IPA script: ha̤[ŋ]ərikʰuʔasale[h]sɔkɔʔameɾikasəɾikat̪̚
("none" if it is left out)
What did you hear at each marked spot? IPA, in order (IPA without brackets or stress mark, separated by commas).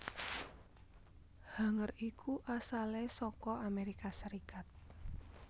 ŋ, none